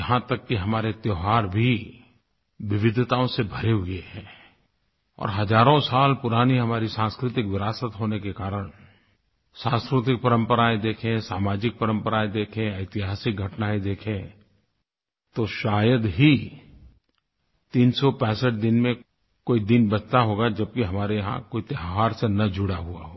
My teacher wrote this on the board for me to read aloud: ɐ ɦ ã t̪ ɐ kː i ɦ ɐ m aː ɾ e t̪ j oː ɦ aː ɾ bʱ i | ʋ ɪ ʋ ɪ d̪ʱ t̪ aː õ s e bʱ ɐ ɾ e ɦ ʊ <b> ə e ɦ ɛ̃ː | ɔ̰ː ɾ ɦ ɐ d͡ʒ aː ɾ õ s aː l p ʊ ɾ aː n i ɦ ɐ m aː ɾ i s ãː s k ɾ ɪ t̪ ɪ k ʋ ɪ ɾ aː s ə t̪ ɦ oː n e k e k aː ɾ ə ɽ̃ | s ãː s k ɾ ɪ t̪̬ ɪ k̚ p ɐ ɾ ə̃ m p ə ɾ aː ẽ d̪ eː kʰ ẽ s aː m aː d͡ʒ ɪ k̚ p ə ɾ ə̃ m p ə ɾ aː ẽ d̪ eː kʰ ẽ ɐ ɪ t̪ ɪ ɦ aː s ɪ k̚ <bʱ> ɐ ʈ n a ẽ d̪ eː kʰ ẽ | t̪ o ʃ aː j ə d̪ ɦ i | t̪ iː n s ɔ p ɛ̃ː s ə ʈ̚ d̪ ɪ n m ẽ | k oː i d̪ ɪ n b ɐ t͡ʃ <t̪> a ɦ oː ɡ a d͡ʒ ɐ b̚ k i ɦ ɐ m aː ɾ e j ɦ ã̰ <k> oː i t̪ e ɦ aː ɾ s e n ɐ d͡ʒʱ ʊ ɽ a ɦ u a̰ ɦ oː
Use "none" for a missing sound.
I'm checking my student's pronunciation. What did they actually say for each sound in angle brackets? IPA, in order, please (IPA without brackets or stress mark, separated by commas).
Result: ɡ, ɡʱ, t̪, k